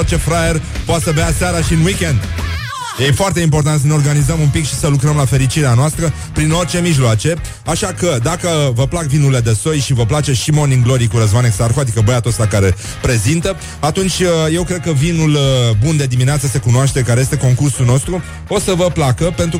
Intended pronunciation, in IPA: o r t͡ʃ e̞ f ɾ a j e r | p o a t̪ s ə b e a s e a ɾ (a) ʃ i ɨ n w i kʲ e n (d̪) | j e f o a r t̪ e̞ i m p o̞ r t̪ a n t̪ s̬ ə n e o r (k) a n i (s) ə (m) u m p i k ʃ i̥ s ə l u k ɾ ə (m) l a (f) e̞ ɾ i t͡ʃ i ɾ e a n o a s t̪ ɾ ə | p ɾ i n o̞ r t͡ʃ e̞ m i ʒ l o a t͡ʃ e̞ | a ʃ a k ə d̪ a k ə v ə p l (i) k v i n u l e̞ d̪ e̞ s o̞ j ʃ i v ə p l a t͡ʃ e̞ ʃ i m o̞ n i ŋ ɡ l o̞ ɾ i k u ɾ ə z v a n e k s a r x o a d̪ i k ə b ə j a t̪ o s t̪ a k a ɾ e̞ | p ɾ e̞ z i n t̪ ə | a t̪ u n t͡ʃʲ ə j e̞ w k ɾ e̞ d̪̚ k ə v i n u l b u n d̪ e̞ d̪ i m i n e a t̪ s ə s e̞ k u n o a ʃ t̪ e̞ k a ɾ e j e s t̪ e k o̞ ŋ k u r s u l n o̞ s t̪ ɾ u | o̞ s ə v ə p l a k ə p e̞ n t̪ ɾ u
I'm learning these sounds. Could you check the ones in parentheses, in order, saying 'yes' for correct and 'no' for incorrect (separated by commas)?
yes, yes, no, no, yes, yes, yes, no